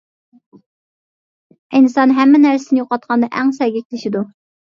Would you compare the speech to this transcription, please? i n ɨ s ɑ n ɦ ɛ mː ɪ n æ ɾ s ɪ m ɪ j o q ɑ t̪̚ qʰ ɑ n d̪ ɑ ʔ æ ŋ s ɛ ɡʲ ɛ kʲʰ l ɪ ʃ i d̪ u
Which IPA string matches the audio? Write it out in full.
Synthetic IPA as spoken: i n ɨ s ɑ n ɦ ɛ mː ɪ n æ ɾ s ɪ n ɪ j o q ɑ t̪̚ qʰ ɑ n d̪ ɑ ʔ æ ŋ s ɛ ɡʲ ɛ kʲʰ l ɪ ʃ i d̪ u